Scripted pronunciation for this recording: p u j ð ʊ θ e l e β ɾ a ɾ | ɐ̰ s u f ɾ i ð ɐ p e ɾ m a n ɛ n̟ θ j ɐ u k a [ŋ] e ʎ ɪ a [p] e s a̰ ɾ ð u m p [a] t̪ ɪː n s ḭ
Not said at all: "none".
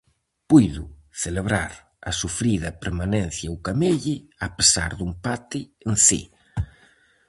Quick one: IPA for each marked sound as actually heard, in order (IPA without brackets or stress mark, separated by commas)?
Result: m, p, a